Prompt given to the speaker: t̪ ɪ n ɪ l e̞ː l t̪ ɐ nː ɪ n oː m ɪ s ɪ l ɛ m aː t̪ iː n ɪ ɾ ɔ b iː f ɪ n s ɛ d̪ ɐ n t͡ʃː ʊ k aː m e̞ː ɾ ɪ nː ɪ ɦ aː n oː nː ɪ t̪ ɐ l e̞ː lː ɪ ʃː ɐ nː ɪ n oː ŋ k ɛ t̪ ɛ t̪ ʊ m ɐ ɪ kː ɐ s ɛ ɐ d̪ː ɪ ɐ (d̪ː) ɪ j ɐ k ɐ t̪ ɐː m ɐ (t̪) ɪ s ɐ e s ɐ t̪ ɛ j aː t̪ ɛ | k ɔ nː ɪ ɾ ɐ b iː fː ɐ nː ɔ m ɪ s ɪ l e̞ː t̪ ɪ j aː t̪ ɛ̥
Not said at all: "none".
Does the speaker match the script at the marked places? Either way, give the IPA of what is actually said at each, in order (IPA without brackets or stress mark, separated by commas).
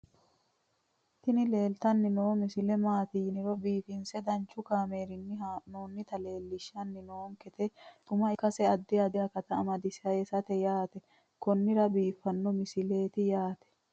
d̪, d̪